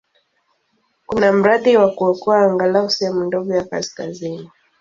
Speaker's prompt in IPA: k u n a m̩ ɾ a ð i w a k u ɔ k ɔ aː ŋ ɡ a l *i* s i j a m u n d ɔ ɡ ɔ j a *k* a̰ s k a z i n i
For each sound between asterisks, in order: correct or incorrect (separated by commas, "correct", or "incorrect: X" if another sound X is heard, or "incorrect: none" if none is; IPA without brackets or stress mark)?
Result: incorrect: a, correct